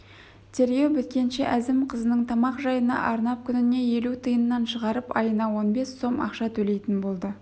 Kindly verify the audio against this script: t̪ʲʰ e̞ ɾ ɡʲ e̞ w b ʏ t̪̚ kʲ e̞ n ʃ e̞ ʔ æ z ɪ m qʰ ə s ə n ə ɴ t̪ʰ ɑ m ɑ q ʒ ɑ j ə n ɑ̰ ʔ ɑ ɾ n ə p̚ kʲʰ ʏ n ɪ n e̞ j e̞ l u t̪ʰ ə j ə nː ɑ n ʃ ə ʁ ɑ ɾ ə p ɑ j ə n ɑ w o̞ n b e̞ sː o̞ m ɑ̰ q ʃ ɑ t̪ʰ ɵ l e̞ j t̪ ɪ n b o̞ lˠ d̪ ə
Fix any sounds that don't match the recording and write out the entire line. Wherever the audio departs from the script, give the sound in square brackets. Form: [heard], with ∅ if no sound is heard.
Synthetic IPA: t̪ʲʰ e̞ ɾ ɡʲ e̞ w b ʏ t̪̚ kʲ e̞ n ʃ e̞ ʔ æ z ɪ m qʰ ə [z] ə n ə ɴ t̪ʰ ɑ m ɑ q ʒ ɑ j ə n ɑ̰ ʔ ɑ ɾ n [ɑ] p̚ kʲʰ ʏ n ɪ n e̞ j e̞ l u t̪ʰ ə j ə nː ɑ n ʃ ə ʁ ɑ ɾ ə p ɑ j ə n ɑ w o̞ n b e̞ sː o̞ m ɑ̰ q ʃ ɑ t̪ʰ ɵ l e̞ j t̪ ɪ n b o̞ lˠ d̪ ə